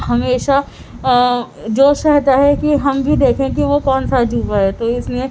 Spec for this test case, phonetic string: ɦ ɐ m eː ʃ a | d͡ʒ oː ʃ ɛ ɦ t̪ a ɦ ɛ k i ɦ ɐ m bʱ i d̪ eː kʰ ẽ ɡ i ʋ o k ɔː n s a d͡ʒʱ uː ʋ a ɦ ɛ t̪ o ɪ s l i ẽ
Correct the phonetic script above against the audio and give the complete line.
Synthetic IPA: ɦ ɐ m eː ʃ a | d͡ʒ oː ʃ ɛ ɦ t̪ a ɦ ɛ k i ɦ ɐ m bʱ i d̪ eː kʰ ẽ k i ʋ o k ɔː n s a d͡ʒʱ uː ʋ a ɦ ɛ t̪ o ɪ s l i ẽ